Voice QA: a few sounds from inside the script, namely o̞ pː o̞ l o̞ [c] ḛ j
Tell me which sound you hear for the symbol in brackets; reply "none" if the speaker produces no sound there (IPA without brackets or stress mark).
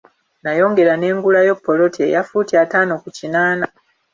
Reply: t